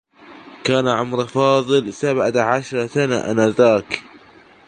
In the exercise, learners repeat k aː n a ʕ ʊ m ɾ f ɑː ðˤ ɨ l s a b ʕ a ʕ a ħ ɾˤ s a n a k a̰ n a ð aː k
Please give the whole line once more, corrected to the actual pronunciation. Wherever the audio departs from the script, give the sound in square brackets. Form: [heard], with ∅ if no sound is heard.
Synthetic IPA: k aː n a ʕ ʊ m ɾ f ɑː ðˤ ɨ l s a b ʕ a ʕ a [ʃ] ɾˤ s a n a [ʔ] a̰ n a ð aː k